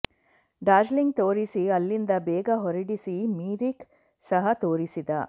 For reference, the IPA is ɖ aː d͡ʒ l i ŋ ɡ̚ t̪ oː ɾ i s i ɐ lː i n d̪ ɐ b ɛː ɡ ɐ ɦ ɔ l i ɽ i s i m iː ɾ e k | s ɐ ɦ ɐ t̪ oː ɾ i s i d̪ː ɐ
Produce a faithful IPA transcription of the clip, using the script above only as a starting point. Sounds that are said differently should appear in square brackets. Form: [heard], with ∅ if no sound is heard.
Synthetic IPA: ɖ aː d͡ʒ l i ŋ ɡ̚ t̪ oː ɾ i s i ɐ lː i n d̪ ɐ b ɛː ɡ ɐ ɦ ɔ [ɾ] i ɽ i s i m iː ɾ [i] k | s ɐ ɦ ɐ t̪ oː ɾ i s i [d̪] ɐ